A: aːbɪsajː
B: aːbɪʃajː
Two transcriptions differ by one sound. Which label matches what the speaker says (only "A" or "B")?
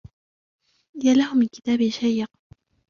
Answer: B